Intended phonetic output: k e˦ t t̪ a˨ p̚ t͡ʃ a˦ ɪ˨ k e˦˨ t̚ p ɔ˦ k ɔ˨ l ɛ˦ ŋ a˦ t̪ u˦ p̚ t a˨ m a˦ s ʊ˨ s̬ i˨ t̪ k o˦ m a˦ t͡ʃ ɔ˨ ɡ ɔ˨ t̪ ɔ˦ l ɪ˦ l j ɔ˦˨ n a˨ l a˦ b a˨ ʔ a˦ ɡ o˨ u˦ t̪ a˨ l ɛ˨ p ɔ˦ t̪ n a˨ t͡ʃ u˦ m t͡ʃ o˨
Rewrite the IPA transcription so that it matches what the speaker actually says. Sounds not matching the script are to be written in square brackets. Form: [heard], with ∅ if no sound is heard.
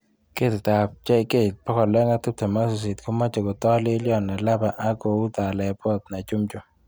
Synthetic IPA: k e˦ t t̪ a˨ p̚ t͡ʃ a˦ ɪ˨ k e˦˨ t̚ p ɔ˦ k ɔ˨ l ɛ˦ ŋ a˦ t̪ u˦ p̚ t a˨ m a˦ s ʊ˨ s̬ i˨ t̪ k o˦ m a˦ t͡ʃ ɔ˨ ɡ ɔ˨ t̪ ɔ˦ l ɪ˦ l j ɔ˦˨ n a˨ l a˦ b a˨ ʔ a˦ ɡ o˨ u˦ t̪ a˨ l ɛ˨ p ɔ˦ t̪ n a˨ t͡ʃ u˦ m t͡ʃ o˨